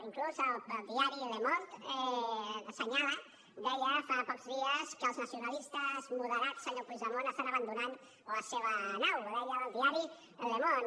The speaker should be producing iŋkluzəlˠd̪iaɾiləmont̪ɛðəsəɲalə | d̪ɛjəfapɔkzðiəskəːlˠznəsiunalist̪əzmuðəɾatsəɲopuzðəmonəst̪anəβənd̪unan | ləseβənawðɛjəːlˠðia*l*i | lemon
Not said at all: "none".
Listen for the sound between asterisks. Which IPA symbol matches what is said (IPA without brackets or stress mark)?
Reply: ɾ